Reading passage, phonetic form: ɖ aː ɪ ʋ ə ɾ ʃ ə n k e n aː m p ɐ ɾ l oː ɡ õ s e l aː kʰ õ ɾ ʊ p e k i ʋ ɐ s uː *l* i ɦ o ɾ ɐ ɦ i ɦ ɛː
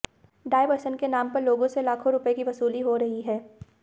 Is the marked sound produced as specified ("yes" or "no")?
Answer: yes